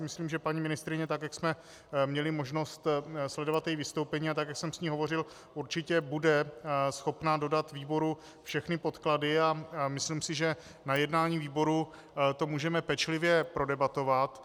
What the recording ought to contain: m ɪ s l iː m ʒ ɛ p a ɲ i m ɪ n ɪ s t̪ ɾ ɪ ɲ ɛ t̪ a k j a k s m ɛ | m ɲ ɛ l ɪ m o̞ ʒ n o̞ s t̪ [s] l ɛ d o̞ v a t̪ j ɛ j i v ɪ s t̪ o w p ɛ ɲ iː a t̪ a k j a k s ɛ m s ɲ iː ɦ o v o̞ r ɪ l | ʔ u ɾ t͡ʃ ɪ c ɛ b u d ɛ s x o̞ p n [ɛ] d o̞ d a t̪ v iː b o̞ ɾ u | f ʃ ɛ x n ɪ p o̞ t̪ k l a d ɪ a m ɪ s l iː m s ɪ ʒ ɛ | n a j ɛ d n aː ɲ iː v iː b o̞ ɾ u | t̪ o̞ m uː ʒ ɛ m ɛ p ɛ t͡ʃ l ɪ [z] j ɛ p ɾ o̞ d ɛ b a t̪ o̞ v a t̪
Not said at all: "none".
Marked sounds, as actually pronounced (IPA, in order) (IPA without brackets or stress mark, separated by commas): s, a, v